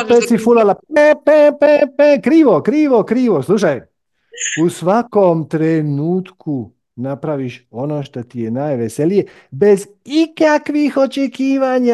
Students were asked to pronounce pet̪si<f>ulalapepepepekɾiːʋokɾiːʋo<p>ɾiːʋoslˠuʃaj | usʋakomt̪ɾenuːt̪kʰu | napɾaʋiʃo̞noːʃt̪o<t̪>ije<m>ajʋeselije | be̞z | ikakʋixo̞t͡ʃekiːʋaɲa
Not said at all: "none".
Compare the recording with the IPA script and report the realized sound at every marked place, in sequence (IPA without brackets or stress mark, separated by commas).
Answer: f, k, t̪, n